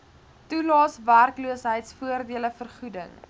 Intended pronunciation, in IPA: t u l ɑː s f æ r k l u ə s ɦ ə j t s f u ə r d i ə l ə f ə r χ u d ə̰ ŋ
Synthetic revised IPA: t u l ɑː s v æ r k l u ə s ɦ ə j t s f u ə r d i ə l ə f ə r χ u d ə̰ ŋ